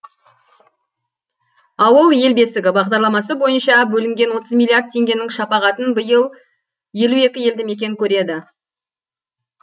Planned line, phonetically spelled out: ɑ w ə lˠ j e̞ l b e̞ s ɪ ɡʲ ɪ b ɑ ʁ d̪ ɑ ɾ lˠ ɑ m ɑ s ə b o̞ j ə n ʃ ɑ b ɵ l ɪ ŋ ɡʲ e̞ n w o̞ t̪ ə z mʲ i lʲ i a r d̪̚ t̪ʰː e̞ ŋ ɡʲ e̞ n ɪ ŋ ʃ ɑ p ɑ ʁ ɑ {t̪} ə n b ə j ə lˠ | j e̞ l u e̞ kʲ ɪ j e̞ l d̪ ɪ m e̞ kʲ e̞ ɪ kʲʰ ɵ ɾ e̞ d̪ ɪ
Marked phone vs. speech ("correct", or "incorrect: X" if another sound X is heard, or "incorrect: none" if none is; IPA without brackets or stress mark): correct